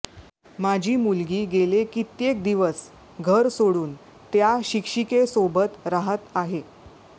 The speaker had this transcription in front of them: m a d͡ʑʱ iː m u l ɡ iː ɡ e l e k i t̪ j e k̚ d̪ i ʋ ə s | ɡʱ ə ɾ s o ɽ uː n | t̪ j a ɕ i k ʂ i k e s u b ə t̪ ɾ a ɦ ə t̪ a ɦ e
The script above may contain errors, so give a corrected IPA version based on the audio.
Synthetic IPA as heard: m a d͡ʑʱ iː m u l ɡ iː ɡ e l e k i t̪ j e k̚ d̪ i ʋ ə s | ɡʱ ə ɾ s o ɽ uː n | t̪ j a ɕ i k ʂ i k e s o b ə t̪ ɾ a ɦ ə t̪ a ɦ e